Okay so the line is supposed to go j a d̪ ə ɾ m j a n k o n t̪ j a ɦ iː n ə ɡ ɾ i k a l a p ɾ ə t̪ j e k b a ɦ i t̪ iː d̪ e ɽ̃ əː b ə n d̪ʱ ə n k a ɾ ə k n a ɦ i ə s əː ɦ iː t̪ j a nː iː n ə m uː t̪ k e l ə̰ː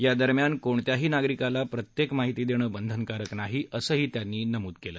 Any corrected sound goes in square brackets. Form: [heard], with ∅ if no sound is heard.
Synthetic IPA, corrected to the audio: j a d̪ ə ɾ m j a n k o [ɳ] t̪ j a ɦ iː n [a] ɡ ɾ i k a l a p ɾ ə t̪ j e k [m] a ɦ i t̪ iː d̪ e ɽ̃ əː b ə n d̪ʱ ə n k a ɾ ə k n a ɦ i ə s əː ɦ iː t̪ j a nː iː n ə m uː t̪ k e l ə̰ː